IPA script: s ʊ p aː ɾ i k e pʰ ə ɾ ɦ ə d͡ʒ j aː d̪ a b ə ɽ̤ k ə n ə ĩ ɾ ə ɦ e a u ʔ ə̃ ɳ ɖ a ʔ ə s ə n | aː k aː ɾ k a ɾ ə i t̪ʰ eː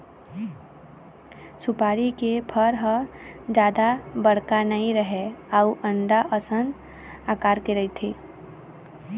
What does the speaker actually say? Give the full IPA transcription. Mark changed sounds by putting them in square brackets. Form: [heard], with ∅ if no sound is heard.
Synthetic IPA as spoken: s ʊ p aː ɾ i k e pʰ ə ɾ ɦ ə d͡ʒ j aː d̪ a b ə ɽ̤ k [a] n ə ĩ ɾ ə ɦ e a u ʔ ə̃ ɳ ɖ a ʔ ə s ə n | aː k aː ɾ k [e] ɾ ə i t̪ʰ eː